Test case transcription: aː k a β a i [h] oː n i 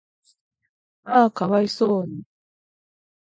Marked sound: incorrect: s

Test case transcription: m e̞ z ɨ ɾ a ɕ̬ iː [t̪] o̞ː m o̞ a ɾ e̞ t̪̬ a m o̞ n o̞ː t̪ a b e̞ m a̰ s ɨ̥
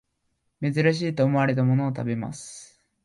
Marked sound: correct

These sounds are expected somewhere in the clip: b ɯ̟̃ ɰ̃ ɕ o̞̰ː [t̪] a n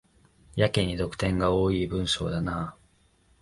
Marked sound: incorrect: d̪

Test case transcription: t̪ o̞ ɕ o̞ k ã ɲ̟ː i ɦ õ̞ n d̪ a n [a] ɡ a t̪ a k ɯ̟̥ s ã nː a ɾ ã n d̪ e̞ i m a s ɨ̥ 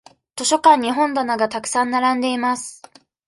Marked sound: correct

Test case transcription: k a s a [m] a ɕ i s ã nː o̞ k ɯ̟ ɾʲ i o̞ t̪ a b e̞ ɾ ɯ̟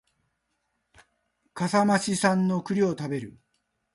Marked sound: correct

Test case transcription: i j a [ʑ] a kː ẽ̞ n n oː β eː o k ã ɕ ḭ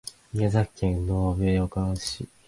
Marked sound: incorrect: z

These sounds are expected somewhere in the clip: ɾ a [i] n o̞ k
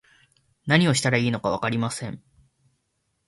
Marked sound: incorrect: iː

